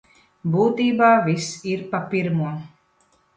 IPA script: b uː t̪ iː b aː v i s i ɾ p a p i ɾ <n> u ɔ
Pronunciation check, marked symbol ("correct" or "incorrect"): incorrect